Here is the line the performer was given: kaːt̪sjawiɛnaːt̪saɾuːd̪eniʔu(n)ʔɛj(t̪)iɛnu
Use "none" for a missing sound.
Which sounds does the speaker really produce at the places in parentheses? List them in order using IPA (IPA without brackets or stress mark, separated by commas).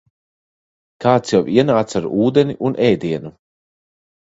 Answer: n, d̪